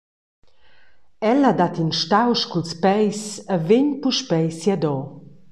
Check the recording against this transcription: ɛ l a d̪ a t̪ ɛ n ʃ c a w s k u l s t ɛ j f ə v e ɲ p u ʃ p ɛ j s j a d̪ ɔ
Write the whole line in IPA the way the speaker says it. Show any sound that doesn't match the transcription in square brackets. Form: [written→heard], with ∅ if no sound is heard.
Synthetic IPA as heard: ɛ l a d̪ a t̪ [ɛ→i] n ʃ [c→t] a w [s→ʃ] k u l s [t→p] ɛ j [f→s] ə v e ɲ p u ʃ p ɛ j s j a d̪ ɔ